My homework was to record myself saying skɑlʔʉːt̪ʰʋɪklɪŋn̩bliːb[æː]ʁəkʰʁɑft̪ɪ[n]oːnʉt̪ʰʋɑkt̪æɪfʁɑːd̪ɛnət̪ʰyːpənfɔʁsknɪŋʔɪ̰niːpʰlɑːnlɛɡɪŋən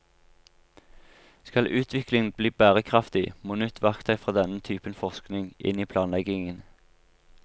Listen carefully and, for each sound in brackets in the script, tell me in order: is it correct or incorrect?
correct, incorrect: m

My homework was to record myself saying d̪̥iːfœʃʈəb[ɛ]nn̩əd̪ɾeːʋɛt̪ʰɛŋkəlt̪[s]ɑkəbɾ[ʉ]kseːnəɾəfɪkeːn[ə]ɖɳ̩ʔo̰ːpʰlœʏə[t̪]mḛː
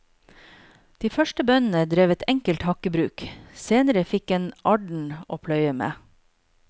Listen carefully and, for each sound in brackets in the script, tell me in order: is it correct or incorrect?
incorrect: œ, incorrect: h, incorrect: ʉː, incorrect: ɑ, incorrect: none

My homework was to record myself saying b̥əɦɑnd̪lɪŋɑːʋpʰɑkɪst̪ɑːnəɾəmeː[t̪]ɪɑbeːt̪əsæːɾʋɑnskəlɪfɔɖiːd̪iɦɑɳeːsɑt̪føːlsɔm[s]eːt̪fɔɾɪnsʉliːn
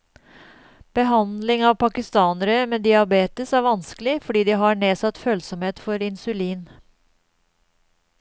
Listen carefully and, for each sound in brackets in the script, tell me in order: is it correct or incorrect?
incorrect: d̪, incorrect: h

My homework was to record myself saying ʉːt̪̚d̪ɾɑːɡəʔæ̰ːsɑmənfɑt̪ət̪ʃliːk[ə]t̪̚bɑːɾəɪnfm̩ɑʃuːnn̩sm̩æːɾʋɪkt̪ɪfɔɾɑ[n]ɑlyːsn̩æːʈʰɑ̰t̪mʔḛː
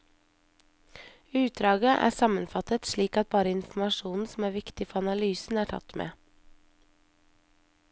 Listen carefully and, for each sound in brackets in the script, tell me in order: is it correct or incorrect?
incorrect: ɑ, correct

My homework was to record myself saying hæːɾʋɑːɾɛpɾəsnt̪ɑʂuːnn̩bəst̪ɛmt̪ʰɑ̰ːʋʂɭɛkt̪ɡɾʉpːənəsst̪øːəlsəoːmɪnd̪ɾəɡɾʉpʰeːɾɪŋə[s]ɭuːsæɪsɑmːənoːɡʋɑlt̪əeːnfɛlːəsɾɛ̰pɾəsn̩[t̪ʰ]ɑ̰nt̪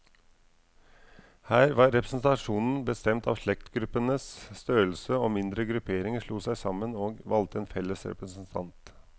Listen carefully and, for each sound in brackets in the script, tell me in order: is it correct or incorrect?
incorrect: ʂ, correct

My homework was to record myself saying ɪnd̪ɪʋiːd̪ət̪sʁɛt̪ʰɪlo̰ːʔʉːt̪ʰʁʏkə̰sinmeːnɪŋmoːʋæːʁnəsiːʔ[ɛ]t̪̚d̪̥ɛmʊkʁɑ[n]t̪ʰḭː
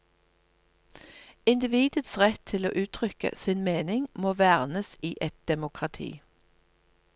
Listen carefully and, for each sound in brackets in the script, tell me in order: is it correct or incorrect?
correct, incorrect: none

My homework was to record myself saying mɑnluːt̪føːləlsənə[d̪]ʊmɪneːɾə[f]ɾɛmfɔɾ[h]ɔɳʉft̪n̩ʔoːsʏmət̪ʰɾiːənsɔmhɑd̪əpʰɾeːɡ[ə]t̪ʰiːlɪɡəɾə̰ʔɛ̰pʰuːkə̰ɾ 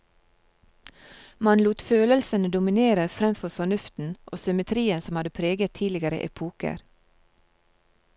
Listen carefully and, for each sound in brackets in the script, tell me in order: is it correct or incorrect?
correct, correct, incorrect: f, correct

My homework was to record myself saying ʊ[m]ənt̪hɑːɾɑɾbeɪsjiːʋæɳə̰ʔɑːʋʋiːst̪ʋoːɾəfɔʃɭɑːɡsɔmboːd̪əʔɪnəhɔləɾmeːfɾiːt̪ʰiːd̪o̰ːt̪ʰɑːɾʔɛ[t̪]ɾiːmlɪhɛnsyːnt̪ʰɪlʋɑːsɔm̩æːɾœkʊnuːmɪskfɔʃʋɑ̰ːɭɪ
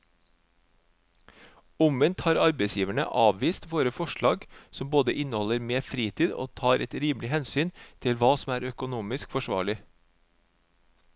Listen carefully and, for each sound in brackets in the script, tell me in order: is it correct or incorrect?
correct, correct

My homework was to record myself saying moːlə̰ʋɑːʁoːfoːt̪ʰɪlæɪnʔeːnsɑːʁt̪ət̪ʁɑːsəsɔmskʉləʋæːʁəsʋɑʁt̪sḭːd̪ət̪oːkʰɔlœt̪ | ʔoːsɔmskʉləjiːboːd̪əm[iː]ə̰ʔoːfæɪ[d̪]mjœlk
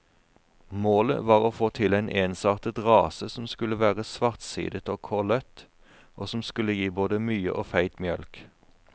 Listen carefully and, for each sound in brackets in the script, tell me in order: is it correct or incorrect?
incorrect: yː, incorrect: t̪

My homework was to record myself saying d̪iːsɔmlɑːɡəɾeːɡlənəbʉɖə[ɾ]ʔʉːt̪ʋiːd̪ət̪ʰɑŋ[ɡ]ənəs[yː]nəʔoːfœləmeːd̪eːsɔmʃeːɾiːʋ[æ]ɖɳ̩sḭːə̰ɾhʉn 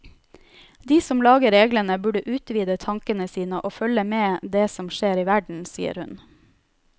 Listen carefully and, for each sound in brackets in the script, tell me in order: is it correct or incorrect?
incorrect: none, incorrect: k, incorrect: iː, correct

